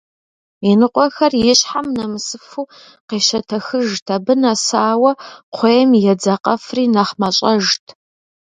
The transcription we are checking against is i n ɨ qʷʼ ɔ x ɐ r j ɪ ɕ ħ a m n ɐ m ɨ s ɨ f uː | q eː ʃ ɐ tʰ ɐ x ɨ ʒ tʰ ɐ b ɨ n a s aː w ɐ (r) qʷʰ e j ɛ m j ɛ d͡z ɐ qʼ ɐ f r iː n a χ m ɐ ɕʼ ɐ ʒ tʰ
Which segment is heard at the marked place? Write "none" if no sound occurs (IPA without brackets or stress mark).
none